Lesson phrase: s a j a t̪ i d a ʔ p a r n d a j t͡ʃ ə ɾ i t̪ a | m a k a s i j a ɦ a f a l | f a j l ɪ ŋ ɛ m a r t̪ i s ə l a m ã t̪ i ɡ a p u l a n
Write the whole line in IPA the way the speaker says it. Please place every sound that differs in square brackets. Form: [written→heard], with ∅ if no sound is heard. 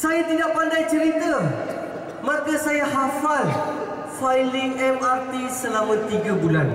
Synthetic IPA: s a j a t̪ i d a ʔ p a [r→∅] n d a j t͡ʃ ə ɾ i t̪ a | m a k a s [i→a] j a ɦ a f a l | f a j l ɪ ŋ ɛ m a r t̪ i s ə l a m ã t̪ i ɡ a [p→b] u l a n

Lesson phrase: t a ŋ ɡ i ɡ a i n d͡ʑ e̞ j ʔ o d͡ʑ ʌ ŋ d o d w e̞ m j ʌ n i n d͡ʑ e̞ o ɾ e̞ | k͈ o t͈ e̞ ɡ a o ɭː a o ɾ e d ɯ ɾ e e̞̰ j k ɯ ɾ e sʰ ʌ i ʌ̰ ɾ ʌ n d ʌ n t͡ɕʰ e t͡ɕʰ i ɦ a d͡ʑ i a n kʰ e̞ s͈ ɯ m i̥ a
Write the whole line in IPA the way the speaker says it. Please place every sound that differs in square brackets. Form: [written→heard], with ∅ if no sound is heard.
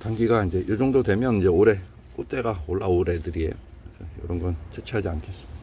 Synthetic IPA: t a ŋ ɡ i ɡ a i n d͡ʑ e̞ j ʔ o d͡ʑ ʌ ŋ d o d w e̞ m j ʌ n i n d͡ʑ e̞ o ɾ e̞ | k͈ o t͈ e̞ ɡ a o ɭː a o ɾ e d ɯ ɾ [e→i] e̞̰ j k ɯ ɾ e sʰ ʌ [i→j] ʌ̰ ɾ ʌ n [d→ɡ] ʌ n t͡ɕʰ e t͡ɕʰ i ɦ a d͡ʑ i a n kʰ e̞ s͈ ɯ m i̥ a

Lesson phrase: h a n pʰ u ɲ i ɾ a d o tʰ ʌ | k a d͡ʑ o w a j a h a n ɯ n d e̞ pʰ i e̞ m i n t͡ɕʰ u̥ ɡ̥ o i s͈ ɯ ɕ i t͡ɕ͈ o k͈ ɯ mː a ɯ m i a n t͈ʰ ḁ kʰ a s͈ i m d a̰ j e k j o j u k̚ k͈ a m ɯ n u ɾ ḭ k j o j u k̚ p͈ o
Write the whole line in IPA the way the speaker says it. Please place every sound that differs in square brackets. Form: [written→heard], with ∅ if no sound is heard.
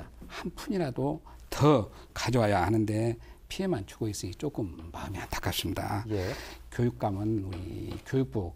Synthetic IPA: h a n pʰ u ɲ i ɾ a d o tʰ ʌ | k a d͡ʑ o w a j a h a n ɯ n d e̞ pʰ i e̞ m [i→a] n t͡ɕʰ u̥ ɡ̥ o i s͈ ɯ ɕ i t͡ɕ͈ o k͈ ɯ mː a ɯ m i a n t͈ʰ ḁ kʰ a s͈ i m d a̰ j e k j o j u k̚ k͈ a m ɯ n u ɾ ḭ k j o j u k̚ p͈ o

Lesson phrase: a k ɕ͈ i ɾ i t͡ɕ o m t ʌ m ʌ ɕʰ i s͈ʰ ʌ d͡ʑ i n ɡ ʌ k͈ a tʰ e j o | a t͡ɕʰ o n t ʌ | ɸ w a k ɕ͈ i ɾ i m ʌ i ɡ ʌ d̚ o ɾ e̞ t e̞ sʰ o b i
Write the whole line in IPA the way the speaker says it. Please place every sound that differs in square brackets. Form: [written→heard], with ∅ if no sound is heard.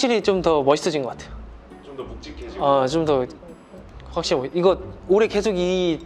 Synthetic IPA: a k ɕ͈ i ɾ i t͡ɕ o m t ʌ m ʌ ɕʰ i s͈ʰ ʌ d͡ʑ i n ɡ ʌ k͈ a tʰ e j o | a [t͡ɕʰ→t͡ɕ] o [n→m] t ʌ | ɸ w a k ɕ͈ i ɾ i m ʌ i ɡ ʌ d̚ o ɾ e̞ [t→k] e̞ sʰ o [b→ɡ] i

